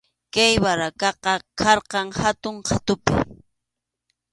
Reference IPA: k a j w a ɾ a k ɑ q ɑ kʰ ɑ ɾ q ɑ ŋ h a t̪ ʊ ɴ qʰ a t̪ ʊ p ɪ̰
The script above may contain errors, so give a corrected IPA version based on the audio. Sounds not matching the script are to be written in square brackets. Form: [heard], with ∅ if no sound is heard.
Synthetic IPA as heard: k a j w a ɾ a k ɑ q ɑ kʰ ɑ ɾ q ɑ ŋ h a t̪ ʊ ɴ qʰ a t̪ ʊ p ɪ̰